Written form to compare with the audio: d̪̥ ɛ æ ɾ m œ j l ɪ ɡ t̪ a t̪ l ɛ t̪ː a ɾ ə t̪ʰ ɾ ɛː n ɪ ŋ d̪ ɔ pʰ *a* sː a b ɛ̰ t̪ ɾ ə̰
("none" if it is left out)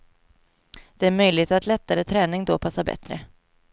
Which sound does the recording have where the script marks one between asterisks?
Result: a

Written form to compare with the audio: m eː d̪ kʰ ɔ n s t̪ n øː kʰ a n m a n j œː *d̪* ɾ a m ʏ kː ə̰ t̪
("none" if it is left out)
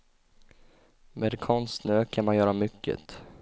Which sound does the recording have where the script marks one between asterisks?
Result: none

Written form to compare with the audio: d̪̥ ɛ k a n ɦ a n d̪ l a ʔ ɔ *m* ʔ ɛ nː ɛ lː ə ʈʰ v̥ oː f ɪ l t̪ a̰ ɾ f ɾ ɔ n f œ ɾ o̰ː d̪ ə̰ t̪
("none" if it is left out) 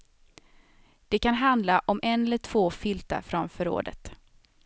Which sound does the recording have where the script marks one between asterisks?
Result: m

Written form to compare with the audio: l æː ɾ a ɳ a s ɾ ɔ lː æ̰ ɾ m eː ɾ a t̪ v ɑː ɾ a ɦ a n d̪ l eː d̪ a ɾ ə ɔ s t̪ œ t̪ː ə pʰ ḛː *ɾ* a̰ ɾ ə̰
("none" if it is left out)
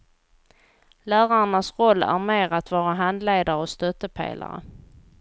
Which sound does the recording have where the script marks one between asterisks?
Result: l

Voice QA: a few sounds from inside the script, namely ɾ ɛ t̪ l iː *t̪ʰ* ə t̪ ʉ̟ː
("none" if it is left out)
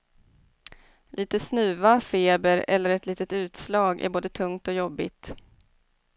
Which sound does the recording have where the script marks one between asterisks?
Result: t̪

